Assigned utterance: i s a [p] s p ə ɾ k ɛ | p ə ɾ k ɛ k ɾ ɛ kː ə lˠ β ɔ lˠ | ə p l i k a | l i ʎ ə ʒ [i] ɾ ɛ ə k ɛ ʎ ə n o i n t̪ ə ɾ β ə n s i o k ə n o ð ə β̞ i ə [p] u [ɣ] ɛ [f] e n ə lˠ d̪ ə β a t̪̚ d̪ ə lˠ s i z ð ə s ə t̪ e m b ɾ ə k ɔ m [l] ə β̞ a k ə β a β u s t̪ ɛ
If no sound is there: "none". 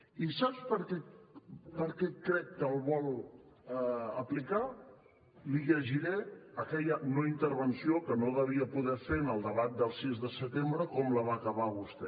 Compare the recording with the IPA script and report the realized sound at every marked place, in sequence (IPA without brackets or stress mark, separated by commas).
p, i, p, ð, f, l